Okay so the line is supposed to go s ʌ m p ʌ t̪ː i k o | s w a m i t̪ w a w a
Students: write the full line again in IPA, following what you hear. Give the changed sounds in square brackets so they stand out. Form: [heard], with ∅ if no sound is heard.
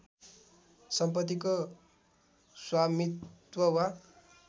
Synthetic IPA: s ʌ m p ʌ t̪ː i k o | s w a m i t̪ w [ʌ] w a